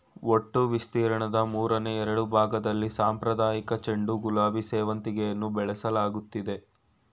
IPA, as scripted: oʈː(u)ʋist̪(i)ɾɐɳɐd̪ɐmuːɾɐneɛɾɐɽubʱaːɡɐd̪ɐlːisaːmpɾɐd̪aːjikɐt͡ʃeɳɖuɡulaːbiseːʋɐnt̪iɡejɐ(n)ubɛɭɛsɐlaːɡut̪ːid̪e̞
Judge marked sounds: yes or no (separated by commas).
yes, no, no